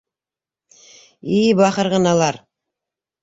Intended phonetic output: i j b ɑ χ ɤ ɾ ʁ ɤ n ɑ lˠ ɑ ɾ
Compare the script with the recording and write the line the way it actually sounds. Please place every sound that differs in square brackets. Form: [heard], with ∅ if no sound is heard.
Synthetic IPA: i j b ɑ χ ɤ ɾ ʁ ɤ n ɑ lˠ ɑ ɾ